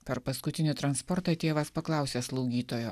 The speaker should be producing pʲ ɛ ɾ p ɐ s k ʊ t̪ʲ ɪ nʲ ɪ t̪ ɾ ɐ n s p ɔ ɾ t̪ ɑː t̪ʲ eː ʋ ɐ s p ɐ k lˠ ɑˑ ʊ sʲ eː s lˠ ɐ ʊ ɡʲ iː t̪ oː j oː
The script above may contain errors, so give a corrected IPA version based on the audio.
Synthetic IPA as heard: pʲ ɛ ɾ p ɐ s k ʊ t̪ʲ ɪ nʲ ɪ t̪ ɾ ɐ n s p ɔ ɾ t̪ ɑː t̪ʲ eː ʋ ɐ s p ɐ k lˠ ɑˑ ʊ sʲ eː s lˠ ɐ ʊ ɡʲ iː t̪ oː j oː